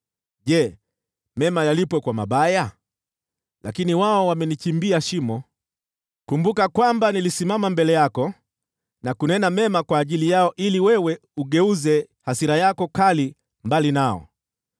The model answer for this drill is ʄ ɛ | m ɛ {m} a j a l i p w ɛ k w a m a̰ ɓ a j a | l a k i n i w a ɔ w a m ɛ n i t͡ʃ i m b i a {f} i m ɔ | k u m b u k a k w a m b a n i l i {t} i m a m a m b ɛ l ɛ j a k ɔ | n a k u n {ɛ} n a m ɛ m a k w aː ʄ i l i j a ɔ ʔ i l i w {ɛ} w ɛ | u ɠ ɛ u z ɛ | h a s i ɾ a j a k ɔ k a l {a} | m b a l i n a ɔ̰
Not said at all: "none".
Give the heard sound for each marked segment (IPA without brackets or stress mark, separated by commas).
m, ʃ, s, ɛ, ɛ, i